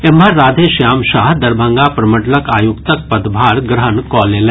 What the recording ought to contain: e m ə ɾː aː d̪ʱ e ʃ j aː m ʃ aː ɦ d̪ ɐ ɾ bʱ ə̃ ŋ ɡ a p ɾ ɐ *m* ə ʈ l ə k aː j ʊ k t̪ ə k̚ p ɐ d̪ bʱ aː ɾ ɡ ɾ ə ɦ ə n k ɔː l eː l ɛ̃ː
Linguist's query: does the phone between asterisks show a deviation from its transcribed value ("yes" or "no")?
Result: no